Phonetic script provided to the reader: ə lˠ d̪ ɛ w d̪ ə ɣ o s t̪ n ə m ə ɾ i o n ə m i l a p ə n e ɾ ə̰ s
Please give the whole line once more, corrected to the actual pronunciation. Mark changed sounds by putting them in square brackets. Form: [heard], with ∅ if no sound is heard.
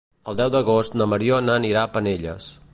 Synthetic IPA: ə lˠ d̪ ɛ w d̪ ə ɣ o s t̪ n ə m ə ɾ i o n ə [n] i [ɾ] a p ə n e [ʎ] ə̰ s